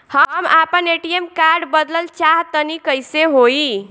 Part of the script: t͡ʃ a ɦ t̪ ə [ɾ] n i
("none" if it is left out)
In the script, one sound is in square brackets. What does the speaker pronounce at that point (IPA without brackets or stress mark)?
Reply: none